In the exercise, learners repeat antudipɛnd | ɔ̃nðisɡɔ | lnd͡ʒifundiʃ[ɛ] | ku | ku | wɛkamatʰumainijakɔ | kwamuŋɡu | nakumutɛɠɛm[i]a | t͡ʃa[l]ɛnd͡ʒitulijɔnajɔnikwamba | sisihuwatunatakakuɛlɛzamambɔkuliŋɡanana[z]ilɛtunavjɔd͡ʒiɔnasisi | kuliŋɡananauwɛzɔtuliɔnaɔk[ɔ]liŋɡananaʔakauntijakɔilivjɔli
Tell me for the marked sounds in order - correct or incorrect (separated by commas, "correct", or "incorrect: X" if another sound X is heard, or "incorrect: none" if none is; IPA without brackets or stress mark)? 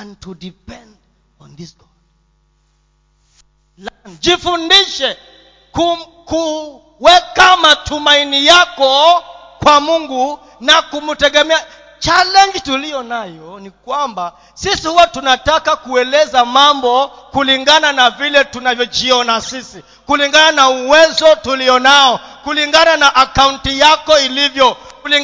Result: correct, incorrect: ɛ, correct, incorrect: v, incorrect: u